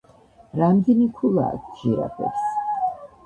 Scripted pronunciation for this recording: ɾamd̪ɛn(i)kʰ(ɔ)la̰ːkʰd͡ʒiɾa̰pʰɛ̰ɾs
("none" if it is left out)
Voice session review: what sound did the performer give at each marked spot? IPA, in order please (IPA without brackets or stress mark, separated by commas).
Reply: i, u